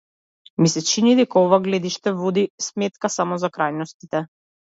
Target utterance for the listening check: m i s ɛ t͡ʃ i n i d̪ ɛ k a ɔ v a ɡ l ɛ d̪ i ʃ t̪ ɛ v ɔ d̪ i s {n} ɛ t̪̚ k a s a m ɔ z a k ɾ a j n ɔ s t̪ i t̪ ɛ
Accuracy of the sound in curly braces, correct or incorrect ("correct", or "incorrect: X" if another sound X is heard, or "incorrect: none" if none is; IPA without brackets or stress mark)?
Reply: incorrect: m